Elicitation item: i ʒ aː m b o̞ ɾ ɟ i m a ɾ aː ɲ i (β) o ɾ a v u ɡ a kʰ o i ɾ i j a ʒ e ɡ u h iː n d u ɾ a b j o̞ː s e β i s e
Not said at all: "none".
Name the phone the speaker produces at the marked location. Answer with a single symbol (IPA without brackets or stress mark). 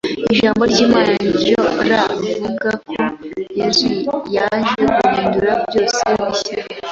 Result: none